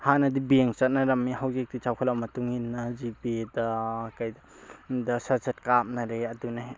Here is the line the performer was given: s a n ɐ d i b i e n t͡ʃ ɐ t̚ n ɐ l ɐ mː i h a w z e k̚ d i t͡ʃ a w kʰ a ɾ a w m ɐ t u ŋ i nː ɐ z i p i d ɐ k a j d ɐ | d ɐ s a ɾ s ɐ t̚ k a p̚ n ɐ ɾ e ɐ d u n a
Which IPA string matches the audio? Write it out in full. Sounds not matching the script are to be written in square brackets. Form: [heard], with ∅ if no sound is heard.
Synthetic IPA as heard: [h] a n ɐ d i b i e [ŋ] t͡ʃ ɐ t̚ n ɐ [ɾ] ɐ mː i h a w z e k̚ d i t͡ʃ a w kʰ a [l] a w m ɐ t u ŋ i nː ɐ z i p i d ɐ k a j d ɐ | d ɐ s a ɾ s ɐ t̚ k a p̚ n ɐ ɾ e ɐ d u n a